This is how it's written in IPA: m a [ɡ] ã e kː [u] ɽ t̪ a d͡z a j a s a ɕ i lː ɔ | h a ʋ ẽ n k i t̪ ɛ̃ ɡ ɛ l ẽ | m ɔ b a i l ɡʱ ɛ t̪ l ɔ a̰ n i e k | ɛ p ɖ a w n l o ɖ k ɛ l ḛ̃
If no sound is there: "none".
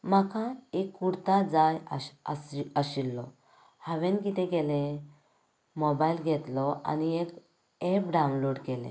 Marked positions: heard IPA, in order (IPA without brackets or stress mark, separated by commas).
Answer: k, u